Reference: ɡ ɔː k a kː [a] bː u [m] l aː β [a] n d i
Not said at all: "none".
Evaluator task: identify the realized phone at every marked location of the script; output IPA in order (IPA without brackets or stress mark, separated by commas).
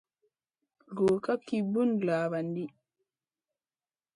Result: i, n, a